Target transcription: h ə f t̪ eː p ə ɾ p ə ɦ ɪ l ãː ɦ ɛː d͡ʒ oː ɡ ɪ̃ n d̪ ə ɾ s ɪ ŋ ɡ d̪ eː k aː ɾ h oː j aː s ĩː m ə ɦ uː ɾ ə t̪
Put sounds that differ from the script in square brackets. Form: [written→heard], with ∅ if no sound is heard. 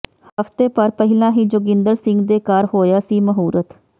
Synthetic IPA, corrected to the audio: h ə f t̪ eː p ə ɾ p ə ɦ ɪ l ãː ɦ [ɛː→iː] d͡ʒ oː ɡ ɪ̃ n d̪ ə ɾ s ɪ ŋ ɡ d̪ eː k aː ɾ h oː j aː s [ĩː→iː] m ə ɦ uː ɾ ə t̪